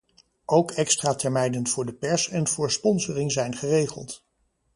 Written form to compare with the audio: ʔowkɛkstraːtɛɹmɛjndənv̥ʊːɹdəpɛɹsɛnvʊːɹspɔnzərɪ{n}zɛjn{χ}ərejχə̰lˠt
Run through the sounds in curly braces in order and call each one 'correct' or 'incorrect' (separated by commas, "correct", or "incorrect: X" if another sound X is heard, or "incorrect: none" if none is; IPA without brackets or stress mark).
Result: incorrect: ŋ, correct